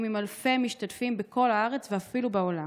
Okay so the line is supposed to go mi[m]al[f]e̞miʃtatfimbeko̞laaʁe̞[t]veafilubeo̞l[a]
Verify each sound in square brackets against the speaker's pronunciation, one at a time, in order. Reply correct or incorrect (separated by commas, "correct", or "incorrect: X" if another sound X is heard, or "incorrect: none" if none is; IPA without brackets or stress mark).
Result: correct, correct, incorrect: t͡s, correct